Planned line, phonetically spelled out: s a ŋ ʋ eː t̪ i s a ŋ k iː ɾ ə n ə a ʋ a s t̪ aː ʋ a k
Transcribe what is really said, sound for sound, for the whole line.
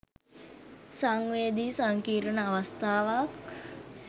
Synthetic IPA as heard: s a ŋ ʋ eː d̪ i s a ŋ k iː ɾ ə n ə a ʋ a s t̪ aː ʋ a k